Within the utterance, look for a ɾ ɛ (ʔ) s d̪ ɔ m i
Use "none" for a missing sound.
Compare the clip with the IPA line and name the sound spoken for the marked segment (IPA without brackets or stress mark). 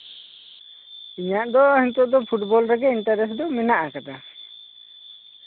none